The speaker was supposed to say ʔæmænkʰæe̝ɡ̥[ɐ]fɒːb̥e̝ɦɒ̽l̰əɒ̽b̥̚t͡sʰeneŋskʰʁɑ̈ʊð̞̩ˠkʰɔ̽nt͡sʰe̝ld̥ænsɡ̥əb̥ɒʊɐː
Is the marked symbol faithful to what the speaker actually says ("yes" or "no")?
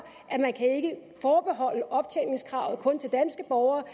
no